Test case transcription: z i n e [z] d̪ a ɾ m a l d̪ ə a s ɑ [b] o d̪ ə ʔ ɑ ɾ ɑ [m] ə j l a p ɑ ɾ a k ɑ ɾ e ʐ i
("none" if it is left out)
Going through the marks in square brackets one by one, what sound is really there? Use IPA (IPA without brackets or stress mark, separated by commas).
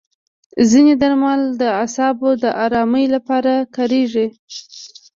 none, b, m